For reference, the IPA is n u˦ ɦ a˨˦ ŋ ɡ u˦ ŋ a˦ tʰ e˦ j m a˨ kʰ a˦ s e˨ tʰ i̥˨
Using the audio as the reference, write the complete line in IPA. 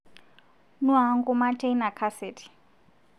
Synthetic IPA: n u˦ ɦ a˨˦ ŋ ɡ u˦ m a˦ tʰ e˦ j n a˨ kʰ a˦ s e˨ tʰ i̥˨